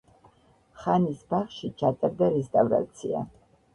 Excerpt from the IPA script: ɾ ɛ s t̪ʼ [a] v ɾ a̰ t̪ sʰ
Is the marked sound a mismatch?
no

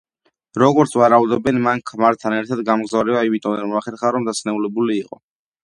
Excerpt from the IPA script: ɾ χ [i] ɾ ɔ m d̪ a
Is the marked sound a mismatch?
yes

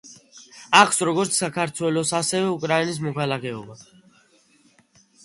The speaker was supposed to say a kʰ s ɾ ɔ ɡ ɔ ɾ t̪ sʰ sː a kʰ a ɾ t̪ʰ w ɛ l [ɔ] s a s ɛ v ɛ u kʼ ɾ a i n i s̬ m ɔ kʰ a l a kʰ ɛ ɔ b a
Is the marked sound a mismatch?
no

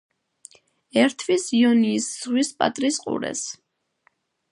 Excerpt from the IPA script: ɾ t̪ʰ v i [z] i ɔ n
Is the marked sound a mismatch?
yes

